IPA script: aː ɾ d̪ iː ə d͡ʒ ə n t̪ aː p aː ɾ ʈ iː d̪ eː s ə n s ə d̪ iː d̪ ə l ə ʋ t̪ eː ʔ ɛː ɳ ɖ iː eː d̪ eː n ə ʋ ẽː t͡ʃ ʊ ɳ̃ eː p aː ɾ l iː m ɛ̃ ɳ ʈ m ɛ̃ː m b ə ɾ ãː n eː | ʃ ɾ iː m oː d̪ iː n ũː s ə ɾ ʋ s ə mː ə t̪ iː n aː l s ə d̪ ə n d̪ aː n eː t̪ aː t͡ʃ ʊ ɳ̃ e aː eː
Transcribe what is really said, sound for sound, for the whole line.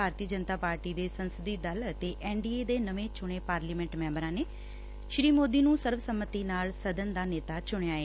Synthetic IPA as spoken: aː ɾ t̪ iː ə d͡ʒ ə n t̪ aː p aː ɾ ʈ iː d̪ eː s ə n s ə d̪ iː d̪ ə l ə t̪ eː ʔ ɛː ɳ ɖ iː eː d̪ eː n ə ʋ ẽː t͡ʃ ʊ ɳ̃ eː p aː ɾ l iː m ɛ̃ ɳ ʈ m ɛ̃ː m b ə ɾ ãː n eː | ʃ ɾ iː m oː d̪ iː n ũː s ə ɾ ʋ s ə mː ə t̪ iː n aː l s ə d̪ ə n d̪ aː n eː t̪ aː t͡ʃ ʊ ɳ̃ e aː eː

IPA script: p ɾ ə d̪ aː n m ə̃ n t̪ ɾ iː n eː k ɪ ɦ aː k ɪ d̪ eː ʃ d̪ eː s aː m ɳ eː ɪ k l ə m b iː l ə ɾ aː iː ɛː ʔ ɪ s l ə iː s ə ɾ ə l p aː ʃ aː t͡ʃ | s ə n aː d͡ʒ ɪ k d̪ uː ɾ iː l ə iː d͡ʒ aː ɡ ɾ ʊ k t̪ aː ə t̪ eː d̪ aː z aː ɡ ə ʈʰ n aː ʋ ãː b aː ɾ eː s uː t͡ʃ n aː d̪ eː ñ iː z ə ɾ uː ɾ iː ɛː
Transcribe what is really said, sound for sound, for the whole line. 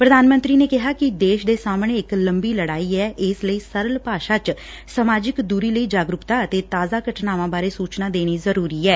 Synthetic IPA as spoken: p ɾ ə d̪ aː n m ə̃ n t̪ ɾ iː n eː k ɪ ɦ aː k ɪ d̪ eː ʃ d̪ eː s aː m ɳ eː ɪ k l ə m b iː l ə ɽ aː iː ɛː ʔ ɪ s l ə iː s ə ɾ ə l p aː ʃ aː t͡ʃ | s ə m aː d͡ʒ ɪ k d̪ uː ɾ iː l ə iː d͡ʒ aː ɡ ɾ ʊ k t̪ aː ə t̪ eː t̪ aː z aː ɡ ə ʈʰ n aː ʋ ãː b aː ɾ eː s uː t͡ʃ n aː d̪ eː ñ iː z ə ɾ uː ɾ iː ɛː

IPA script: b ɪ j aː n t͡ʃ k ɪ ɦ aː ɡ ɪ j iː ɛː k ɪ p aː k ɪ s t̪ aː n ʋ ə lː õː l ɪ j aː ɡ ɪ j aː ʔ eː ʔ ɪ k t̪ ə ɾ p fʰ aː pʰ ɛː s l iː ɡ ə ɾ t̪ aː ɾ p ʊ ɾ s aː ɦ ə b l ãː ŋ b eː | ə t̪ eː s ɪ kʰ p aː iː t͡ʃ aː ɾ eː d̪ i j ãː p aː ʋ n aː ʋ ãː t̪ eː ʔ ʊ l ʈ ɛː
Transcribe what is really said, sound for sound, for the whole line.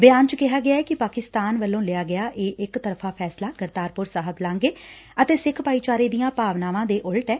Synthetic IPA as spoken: b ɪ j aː n t͡ʃ k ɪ ɦ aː ɡ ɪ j aː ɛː k ɪ p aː k ɪ s t̪ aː n ʋ ə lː õː l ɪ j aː ɡ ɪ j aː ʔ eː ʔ ɪ k t̪ ə ɾ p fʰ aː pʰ ɛː s l aː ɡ ə ɾ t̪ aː ɾ p ʊ ɾ s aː ɦ ə b l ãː ŋ ɡ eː | ə t̪ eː s ɪ kʰ p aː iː t͡ʃ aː ɾ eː d̪ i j ãː p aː ʋ n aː ʋ ãː d̪ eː ʔ ʊ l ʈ ɛː

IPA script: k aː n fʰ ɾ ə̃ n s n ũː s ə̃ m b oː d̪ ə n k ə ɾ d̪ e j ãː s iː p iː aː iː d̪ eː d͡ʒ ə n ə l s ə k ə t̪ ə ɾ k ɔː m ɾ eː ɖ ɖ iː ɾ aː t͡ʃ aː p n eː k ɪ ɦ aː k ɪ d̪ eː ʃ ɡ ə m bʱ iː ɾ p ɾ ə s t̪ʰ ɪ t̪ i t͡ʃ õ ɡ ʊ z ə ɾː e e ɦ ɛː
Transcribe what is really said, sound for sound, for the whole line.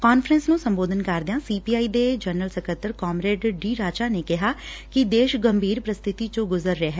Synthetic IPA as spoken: k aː n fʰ ɾ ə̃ n s n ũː s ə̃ m b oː d̪ ə n k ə ɾ d̪ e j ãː s iː p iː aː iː d̪ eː d͡ʒ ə n ə l s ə k ə t̪ ə ɾ k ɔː m ɾ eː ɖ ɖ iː ɾ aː t͡ʃ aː n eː k ɪ ɦ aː k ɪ d̪ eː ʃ ɡ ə m bʱ iː ɾ p ɾ ə s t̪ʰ ɪ t̪ i t͡ʃ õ ɡ ʊ z ə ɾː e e ɦ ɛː

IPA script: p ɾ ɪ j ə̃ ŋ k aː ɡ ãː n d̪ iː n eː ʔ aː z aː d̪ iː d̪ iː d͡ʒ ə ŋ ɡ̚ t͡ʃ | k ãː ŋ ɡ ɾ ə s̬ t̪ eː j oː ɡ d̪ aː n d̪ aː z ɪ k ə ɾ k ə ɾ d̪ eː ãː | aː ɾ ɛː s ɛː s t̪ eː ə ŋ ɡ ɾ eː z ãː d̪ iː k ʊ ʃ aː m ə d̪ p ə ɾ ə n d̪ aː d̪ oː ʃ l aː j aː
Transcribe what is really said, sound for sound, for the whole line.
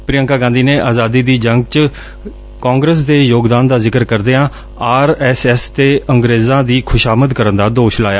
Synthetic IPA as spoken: p ɾ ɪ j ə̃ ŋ k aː ɡ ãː n d̪ iː n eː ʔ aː z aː d̪ iː d̪ iː d͡ʒ ə ŋ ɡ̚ t͡ʃ | k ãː ŋ ɡ ɾ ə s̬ d̪ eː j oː ɡ d̪ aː n d̪ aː z ɪ k ə ɾ k ə ɾ d̪ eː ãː | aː ɾ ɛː s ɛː s t̪ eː ə ŋ ɡ ɾ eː z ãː d̪ iː kʰ ʊ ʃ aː m ə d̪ k ə ɾ ə n d̪ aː d̪ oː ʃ l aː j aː

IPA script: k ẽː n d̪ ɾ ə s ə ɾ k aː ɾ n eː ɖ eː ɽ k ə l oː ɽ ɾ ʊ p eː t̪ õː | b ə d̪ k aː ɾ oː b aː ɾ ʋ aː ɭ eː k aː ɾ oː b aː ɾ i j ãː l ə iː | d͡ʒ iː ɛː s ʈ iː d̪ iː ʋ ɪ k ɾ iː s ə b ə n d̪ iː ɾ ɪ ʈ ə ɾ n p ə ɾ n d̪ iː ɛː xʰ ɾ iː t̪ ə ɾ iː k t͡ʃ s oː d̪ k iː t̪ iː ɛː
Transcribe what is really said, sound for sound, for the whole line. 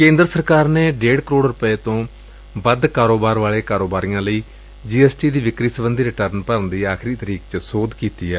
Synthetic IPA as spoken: k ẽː n d̪ ɾ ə s ə ɾ k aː ɾ n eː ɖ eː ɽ k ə ɾ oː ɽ ɾ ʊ p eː t̪ õː | b ə d̪ k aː ɾ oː b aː ɾ ʋ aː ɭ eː k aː ɾ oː b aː ɾ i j ãː l ə iː | d͡ʒ iː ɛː s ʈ iː d̪ iː ʋ ɪ k ɾ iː s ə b ə n d̪ iː ɾ ɪ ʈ ə ɾ n p ə ɾ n d̪ iː aː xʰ ɾ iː t̪ ə ɾ iː k t͡ʃ s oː d̪ k iː t̪ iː ɛː

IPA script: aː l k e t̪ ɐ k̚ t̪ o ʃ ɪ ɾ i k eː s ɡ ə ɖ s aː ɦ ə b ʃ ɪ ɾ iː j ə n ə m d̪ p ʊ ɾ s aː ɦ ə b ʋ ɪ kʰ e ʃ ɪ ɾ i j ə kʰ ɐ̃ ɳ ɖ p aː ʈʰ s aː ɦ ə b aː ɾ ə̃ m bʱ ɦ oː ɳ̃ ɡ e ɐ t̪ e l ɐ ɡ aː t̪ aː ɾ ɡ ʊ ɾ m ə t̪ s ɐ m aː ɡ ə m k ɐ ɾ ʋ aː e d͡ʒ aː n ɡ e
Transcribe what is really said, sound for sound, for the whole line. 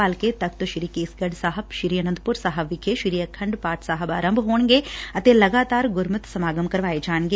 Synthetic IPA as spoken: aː l k e t̪ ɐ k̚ t̪ o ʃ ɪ ɾ i k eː s ɡ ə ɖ s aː ɦ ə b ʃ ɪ ɾ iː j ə n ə n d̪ p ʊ ɾ s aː ɦ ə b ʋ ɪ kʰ e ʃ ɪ ɾ i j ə kʰ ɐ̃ ɳ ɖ p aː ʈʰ s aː ɦ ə b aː ɾ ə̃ m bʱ ɦ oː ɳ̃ ɡ e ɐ t̪ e l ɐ ɡ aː t̪ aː ɾ ɡ ʊ ɾ m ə t̪ s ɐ m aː ɡ ə m k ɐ ɾ ʋ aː e d͡ʒ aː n ɡ e

